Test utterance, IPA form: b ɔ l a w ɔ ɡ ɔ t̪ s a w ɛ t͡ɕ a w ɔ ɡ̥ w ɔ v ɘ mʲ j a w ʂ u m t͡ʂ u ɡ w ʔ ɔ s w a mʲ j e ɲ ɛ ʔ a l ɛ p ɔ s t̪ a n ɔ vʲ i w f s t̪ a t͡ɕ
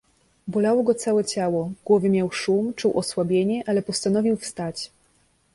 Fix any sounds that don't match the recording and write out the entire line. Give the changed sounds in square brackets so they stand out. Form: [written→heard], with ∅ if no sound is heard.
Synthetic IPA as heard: b ɔ l a w ɔ ɡ ɔ t̪ s a w ɛ t͡ɕ a w ɔ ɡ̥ w ɔ v ɘ mʲ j a w ʂ u m t͡ʂ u [ɡ→∅] w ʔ ɔ s w a [mʲ→bʲ] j e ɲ ɛ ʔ a l ɛ p ɔ s t̪ a n ɔ vʲ i w f s t̪ a t͡ɕ